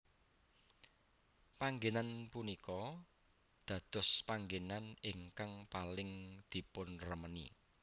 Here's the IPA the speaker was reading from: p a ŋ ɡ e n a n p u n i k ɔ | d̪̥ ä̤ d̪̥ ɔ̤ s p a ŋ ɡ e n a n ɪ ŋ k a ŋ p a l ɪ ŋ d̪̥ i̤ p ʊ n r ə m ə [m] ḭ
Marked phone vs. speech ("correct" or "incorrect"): incorrect